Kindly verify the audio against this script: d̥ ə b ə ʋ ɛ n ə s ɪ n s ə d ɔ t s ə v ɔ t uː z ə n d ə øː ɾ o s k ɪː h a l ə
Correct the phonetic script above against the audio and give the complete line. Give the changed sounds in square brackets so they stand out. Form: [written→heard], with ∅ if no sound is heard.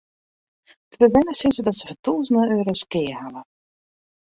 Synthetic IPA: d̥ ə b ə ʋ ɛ n ə s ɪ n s ə d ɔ t s ə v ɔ t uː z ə n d ə øː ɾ o s k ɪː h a l ə